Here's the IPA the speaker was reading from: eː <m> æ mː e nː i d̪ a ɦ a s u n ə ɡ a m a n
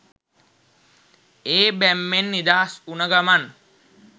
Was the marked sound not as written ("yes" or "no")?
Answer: yes